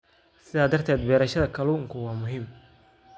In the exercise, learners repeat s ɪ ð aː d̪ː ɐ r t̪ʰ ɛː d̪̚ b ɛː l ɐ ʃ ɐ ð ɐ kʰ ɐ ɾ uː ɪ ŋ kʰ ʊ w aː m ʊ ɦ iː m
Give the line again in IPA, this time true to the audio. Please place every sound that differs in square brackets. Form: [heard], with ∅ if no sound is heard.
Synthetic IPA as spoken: s ɪ ð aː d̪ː ɐ r t̪ʰ ɛː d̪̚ b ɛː [ɾ] ɐ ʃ ɐ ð ɐ kʰ ɐ [l] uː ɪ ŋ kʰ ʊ w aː m ʊ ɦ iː m